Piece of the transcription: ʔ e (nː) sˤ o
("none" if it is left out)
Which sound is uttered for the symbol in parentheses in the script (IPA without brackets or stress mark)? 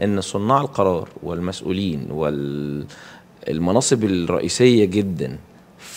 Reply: nː